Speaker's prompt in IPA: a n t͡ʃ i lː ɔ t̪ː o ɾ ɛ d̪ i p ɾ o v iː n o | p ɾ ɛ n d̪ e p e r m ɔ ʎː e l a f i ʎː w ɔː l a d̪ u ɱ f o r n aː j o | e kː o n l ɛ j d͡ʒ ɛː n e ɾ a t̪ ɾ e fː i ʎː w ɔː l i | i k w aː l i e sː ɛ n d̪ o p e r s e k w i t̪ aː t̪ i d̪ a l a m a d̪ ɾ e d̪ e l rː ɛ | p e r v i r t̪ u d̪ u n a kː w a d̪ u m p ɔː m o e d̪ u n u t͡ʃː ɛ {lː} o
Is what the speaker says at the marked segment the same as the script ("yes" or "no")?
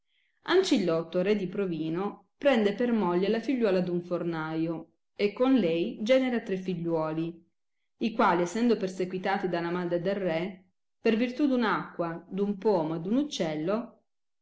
yes